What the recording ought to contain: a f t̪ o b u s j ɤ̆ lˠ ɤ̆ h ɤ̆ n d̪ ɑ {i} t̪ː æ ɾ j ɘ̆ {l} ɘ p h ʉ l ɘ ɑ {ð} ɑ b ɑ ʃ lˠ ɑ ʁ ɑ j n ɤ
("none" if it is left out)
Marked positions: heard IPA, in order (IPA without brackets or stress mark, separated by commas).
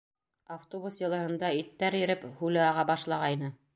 i, ɾ, ʁ